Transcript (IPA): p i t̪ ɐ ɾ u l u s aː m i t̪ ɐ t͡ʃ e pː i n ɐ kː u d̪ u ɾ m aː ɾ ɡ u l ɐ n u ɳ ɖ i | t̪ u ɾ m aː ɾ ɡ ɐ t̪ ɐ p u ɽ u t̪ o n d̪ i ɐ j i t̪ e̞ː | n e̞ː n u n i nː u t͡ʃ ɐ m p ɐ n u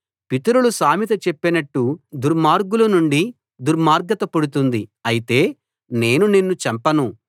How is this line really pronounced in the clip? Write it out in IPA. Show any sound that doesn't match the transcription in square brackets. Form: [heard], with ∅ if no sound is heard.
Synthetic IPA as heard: p i t̪ ɐ ɾ u l u s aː m i t̪ ɐ t͡ʃ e pː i n ɐ [ʈː] u d̪ u ɾ m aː ɾ ɡ u l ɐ n u ɳ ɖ i | [d̪] u ɾ m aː ɾ ɡ ɐ t̪ ɐ p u ɽ u t̪ [u] n d̪ i ɐ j i t̪ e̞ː | n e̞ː n u n i nː u t͡ʃ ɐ m p ɐ n u